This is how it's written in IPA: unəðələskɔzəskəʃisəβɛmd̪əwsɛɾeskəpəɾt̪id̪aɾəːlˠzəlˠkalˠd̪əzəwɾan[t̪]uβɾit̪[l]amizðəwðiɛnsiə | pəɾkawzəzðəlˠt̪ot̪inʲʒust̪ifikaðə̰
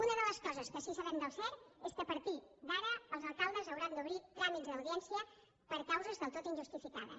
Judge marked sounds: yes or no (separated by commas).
no, no